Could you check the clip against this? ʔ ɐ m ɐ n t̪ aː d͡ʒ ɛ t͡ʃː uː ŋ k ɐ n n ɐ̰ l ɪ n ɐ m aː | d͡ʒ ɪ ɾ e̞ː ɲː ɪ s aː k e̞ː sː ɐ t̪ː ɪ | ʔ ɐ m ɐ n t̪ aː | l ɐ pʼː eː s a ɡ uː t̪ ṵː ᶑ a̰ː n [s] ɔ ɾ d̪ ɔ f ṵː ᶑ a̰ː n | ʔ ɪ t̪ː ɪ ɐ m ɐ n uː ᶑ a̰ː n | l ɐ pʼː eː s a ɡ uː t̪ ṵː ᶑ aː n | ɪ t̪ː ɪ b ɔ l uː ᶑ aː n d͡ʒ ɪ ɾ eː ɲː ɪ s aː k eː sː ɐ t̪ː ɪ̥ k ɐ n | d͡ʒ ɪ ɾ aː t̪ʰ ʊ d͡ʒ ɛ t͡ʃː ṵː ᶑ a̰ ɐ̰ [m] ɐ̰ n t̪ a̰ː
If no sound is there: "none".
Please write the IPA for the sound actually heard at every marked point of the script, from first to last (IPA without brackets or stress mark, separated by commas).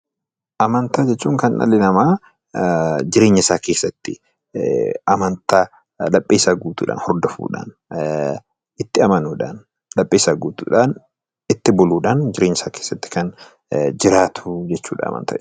h, m